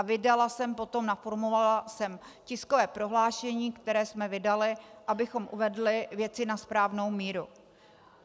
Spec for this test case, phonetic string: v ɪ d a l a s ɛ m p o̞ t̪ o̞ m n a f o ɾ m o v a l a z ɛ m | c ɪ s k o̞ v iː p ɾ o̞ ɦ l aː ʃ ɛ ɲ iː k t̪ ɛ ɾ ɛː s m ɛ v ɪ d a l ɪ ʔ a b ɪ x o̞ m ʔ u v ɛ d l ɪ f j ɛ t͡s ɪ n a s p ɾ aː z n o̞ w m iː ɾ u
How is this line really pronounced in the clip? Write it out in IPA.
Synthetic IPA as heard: v ɪ d a l a s ɛ m p o̞ t̪ o̞ m n a f o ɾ m o v a l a s ɛ m | c ɪ s k o̞ v ɛː p ɾ o̞ ɦ l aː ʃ ɛ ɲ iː k t̪ ɛ ɾ ɛː s m ɛ v ɪ d a l ɪ ʔ a b ɪ x o̞ m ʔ u v ɛ d l ɪ v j ɛ t͡s ɪ n a s p ɾ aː v n o̞ w m iː ɾ u